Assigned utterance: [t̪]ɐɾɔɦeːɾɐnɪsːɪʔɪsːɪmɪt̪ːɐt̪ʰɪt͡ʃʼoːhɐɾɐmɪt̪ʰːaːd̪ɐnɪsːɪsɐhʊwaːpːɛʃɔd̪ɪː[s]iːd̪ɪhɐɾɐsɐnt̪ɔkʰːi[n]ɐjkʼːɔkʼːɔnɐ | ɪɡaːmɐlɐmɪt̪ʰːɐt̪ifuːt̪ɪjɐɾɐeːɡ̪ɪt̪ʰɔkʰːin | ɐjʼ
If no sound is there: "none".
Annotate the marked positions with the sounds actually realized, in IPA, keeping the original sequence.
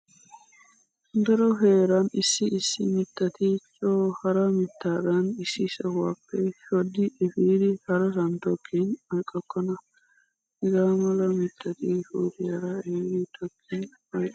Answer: d̪, f, n

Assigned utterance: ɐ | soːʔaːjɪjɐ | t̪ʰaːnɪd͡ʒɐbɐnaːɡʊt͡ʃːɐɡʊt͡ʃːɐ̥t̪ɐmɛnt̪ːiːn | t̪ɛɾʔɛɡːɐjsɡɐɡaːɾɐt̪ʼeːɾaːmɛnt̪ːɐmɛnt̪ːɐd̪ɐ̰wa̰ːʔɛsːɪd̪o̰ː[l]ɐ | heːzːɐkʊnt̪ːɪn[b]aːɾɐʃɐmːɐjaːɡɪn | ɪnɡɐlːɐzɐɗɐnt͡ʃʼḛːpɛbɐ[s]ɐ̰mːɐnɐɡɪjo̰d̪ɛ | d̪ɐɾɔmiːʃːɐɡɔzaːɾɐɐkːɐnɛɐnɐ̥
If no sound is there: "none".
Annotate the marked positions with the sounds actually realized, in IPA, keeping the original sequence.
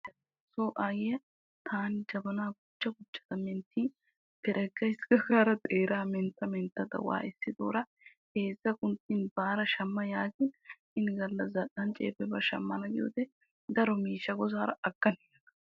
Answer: ɾ, b, ʃ

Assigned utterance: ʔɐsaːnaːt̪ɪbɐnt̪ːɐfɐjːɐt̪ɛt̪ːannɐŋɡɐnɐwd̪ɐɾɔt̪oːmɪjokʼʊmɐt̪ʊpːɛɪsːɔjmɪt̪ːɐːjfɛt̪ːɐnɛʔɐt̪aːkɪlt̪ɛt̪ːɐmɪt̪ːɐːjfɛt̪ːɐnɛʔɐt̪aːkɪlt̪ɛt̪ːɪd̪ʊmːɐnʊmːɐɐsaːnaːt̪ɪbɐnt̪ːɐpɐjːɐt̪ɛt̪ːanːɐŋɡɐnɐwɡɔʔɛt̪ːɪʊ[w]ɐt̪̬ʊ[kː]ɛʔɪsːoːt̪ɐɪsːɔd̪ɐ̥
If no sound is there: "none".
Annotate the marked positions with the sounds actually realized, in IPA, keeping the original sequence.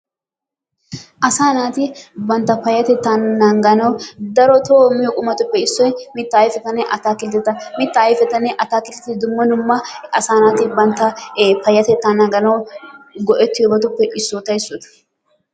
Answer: b, pː

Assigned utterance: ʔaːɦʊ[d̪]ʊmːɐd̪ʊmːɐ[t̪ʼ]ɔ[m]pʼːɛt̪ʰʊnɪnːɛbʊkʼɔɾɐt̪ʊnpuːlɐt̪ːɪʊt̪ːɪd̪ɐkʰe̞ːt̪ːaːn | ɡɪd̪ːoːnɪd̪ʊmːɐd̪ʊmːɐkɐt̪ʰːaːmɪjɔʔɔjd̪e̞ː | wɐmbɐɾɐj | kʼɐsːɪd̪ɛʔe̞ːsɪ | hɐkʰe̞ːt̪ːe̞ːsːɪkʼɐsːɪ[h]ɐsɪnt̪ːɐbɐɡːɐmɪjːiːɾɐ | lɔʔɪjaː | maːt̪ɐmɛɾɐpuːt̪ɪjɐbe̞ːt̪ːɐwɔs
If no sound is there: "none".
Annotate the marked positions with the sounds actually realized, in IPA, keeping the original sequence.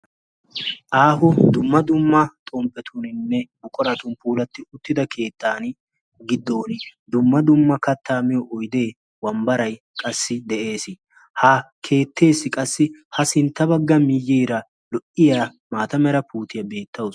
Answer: d̪, t̪ʼ, m, h

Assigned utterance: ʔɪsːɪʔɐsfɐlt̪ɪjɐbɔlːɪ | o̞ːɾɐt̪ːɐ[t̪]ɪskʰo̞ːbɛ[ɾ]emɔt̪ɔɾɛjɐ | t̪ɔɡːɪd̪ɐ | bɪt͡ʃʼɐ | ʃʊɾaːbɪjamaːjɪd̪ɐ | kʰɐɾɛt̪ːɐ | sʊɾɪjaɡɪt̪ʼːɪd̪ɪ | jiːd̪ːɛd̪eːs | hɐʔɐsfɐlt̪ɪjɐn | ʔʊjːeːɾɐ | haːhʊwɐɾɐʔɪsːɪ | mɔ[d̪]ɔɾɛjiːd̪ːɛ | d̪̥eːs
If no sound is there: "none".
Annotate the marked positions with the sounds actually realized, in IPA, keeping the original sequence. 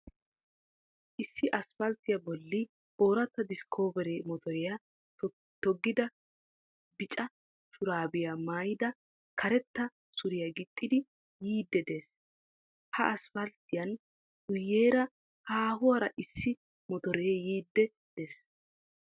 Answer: d̪, ɾ, t̪

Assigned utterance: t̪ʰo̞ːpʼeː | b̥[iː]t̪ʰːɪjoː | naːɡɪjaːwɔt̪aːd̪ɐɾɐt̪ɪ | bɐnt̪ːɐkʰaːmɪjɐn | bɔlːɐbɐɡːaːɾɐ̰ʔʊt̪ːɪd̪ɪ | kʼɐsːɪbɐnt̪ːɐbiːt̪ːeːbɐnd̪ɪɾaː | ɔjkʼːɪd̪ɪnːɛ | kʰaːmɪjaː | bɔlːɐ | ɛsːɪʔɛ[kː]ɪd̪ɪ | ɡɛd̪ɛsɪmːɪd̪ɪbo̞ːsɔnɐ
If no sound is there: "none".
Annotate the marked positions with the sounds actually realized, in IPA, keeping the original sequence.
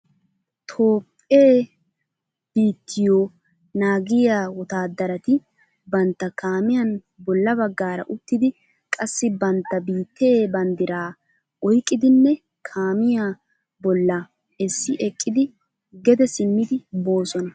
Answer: iː, kʼː

